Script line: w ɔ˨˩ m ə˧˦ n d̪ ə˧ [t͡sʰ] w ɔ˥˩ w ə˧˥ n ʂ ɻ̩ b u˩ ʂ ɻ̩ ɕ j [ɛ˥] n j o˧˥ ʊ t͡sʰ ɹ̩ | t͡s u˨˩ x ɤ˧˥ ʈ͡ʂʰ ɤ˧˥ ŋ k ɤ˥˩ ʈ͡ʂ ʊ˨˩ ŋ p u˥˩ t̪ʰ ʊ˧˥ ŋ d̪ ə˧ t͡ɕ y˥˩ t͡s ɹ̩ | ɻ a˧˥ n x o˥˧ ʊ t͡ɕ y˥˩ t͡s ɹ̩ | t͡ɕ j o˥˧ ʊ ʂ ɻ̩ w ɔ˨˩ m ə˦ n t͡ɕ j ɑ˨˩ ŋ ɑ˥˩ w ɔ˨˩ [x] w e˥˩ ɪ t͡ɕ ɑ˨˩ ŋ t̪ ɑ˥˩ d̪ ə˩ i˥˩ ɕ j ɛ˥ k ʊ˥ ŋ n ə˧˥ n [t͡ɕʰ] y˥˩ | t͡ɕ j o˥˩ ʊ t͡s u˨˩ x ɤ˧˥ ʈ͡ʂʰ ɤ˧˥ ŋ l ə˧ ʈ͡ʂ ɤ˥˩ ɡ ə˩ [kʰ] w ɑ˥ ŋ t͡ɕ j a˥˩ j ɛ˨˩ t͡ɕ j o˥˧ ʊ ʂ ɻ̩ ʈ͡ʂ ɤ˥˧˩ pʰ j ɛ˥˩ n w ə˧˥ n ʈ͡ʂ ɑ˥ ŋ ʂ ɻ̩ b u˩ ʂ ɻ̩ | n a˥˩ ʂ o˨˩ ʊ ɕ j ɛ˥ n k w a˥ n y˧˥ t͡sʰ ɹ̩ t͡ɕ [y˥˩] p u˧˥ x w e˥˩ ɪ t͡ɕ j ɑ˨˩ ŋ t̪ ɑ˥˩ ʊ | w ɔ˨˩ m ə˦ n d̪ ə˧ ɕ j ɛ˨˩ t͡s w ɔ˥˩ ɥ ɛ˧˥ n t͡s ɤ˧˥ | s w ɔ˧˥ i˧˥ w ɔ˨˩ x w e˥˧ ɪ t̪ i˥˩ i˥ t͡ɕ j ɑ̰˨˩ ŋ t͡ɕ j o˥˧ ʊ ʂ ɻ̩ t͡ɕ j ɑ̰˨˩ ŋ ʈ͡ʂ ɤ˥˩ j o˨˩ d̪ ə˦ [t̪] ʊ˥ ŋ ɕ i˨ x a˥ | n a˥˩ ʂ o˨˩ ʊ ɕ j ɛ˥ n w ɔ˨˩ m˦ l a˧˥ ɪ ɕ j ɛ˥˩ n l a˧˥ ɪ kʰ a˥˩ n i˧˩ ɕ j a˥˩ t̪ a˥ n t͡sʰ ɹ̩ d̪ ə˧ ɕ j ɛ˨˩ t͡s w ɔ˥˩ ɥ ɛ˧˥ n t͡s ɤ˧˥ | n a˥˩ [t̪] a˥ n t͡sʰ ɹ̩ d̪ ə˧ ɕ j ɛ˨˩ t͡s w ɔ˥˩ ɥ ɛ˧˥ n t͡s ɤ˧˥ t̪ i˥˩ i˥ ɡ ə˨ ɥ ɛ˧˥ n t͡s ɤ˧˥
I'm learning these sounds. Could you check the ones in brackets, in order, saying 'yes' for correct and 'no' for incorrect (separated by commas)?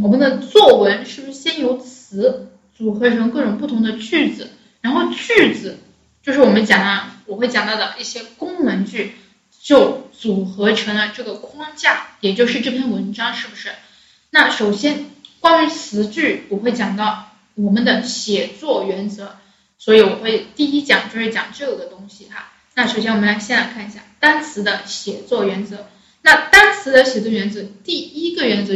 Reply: no, yes, yes, no, yes, yes, yes, yes